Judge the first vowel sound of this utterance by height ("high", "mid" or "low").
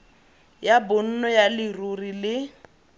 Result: low